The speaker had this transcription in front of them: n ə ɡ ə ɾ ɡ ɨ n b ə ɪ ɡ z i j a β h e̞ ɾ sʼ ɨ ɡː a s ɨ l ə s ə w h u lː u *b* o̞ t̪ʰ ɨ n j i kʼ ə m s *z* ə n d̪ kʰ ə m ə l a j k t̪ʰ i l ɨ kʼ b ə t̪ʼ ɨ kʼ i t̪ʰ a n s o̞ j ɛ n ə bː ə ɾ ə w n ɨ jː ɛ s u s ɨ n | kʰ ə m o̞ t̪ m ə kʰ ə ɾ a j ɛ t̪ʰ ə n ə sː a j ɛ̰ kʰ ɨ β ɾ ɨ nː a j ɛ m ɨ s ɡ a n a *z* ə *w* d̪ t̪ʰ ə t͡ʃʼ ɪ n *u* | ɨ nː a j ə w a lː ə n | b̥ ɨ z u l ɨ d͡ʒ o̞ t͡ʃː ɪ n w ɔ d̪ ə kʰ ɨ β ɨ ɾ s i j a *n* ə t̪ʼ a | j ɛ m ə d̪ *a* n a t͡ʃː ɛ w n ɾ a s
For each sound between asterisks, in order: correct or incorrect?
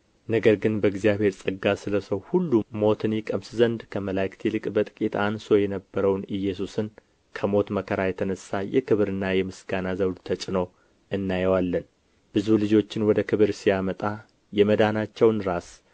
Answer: incorrect: m, correct, correct, correct, incorrect: o, incorrect: m, correct

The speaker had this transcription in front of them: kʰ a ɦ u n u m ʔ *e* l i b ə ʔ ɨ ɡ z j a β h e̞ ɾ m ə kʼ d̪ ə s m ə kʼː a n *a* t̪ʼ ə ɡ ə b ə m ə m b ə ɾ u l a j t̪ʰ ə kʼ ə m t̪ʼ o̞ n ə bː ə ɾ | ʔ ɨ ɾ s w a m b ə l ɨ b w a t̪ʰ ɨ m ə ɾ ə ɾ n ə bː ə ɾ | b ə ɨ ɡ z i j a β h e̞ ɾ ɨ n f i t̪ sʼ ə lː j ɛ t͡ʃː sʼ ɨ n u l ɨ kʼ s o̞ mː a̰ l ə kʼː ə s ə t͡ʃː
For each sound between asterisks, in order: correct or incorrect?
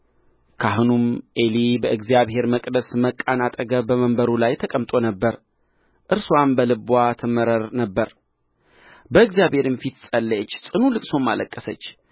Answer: correct, correct

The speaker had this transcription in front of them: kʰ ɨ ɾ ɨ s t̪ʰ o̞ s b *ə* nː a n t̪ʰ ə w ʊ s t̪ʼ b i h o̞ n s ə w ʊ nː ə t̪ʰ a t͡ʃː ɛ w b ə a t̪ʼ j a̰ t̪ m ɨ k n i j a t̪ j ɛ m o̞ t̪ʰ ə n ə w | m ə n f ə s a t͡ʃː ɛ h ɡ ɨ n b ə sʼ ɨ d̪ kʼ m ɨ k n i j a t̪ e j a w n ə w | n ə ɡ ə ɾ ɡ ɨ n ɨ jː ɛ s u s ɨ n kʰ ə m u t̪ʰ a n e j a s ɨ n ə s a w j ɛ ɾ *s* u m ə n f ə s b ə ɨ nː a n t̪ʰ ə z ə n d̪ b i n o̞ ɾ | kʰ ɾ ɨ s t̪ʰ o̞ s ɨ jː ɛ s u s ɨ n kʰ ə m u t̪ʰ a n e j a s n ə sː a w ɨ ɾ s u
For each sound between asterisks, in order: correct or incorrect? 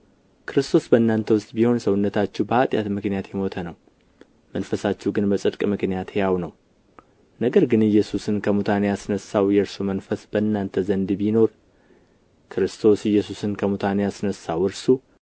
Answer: correct, correct

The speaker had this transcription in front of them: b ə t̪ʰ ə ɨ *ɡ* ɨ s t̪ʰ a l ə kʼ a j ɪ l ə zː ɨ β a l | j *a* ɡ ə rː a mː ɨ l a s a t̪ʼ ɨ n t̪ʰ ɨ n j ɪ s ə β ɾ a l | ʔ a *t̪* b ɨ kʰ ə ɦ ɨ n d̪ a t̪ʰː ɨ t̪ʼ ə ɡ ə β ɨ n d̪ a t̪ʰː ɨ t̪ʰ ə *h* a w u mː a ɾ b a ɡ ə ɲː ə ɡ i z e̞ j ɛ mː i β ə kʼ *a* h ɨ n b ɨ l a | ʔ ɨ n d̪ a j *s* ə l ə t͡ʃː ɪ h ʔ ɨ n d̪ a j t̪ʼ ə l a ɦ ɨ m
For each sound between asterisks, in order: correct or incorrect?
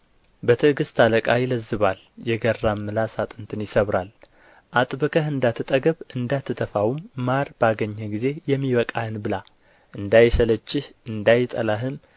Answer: correct, incorrect: ɛ, incorrect: t̪ʼ, incorrect: f, correct, correct

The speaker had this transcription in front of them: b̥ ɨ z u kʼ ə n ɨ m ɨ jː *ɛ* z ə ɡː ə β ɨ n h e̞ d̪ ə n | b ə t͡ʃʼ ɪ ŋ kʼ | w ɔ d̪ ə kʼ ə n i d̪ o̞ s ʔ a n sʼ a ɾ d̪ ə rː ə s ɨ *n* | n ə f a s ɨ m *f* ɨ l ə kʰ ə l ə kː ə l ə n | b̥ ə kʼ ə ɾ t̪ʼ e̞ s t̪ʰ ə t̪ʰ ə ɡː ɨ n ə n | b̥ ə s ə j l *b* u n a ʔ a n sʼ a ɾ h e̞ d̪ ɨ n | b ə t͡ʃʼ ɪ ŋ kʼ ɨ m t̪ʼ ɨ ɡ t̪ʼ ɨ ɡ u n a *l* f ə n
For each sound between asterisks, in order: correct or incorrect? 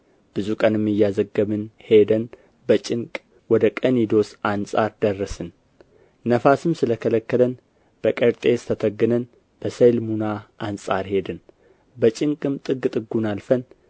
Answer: incorrect: a, correct, incorrect: s, incorrect: m, correct

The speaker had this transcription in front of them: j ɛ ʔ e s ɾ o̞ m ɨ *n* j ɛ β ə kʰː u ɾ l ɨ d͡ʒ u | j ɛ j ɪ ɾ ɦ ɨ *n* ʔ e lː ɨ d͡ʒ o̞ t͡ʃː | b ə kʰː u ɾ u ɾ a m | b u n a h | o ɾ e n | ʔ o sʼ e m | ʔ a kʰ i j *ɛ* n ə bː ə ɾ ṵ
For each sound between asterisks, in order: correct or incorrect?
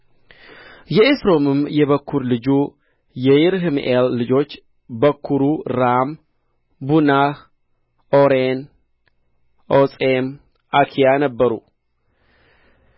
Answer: incorrect: m, incorrect: m, incorrect: a

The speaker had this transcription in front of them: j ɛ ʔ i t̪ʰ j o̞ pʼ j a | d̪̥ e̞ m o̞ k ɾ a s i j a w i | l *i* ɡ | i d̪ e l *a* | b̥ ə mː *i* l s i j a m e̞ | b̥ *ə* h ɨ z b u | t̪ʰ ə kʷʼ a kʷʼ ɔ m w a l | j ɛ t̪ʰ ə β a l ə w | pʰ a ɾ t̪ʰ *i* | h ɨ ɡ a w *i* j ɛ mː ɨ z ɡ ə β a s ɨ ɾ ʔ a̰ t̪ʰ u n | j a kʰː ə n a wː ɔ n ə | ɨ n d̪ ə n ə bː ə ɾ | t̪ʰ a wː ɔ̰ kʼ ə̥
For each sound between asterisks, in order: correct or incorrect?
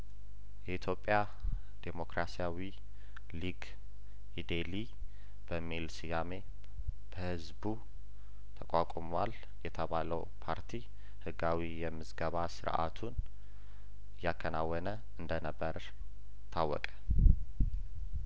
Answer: correct, incorrect: i, correct, correct, correct, correct

